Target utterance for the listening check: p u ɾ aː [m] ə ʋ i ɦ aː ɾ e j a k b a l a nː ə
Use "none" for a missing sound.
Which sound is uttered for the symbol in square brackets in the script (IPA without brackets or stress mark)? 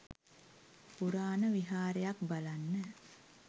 n